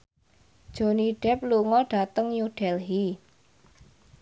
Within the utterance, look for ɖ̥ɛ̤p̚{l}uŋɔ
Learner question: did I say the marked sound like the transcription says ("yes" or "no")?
yes